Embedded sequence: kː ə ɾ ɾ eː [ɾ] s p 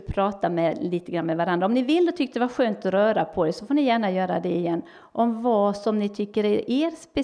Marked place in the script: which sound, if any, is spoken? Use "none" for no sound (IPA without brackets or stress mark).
ɾ